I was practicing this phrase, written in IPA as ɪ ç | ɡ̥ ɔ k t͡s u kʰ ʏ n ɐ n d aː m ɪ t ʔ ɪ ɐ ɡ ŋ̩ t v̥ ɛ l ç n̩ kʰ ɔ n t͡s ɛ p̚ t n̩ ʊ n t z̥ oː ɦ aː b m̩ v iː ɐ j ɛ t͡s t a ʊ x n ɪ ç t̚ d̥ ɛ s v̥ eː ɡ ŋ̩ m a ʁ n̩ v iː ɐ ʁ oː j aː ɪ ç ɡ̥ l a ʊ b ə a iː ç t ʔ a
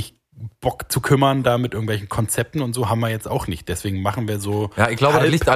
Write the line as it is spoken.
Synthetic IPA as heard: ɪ ç | b̥ ɔ k t͡s u kʰ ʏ m ɐ n d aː m ɪ t ʔ ɪ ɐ ɡ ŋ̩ t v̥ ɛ l ç n̩ kʰ ɔ n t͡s ɛ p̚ t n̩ ʊ n t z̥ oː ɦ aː b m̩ v iː ɐ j ɛ t͡s t a ʊ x n ɪ ç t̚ d̥ ɛ s v̥ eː ɡ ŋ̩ m a χ n̩ v iː ɐ z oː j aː ɪ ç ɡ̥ l a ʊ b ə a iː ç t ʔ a